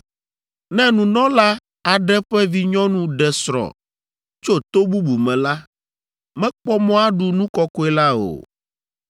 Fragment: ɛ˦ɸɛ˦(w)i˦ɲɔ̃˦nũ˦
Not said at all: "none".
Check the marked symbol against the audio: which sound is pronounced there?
v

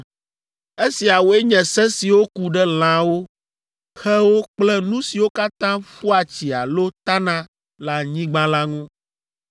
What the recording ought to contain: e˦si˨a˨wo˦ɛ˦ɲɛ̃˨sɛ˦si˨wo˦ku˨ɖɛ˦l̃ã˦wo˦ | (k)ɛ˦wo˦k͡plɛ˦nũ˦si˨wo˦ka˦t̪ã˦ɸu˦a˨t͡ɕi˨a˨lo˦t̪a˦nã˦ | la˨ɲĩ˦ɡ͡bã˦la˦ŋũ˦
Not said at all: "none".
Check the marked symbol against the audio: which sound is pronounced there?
x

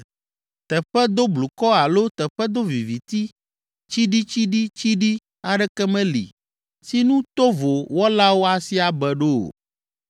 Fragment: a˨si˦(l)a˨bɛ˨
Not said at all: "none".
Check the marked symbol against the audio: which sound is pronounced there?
none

